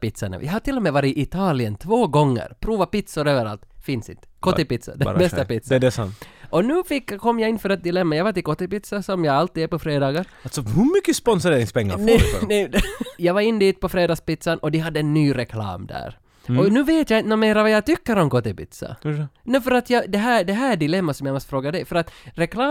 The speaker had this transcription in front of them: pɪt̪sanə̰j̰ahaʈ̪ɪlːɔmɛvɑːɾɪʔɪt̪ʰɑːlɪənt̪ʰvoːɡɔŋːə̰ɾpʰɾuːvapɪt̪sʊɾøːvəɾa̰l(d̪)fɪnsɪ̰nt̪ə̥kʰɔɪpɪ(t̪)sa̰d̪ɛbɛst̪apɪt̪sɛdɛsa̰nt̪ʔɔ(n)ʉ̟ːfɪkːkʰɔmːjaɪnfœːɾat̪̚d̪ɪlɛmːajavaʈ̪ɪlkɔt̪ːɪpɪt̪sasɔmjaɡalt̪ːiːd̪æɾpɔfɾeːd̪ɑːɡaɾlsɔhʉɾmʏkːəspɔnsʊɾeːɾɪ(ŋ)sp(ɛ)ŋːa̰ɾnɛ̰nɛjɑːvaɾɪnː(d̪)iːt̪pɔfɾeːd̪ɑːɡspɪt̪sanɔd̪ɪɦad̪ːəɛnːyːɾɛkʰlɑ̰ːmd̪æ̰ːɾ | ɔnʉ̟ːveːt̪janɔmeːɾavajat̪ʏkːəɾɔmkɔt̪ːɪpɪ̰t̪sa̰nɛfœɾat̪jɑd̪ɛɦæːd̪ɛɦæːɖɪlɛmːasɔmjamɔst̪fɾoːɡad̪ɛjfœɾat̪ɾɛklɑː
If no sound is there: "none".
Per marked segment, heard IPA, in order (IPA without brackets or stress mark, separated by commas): t̪, t̪, n, ŋ, ɛ, d̪